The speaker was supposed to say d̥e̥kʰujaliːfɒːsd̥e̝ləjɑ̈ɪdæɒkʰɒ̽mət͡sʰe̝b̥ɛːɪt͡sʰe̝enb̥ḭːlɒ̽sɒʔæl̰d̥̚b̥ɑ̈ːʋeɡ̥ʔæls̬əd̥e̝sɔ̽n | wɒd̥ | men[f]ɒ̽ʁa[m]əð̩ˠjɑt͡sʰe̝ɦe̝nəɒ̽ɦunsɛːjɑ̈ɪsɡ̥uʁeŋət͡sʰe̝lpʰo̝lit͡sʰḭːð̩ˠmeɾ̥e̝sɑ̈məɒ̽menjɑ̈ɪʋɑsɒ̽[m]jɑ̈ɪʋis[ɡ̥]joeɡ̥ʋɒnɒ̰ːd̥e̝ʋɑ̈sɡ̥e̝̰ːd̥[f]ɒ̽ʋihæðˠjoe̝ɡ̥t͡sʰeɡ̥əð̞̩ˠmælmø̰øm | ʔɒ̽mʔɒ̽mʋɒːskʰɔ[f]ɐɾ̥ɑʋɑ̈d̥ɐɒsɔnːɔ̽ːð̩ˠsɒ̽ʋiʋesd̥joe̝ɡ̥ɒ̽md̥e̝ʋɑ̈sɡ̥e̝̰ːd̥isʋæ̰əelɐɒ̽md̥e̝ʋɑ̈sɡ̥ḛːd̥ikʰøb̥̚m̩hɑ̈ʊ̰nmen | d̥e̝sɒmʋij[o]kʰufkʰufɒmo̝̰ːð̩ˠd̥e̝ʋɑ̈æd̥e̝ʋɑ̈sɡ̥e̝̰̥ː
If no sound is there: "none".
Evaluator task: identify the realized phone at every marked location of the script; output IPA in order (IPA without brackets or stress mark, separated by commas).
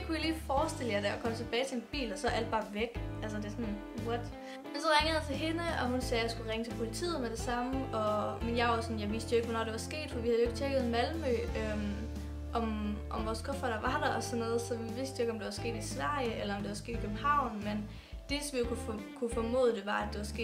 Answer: s, ŋ, n, d̥, f, f, o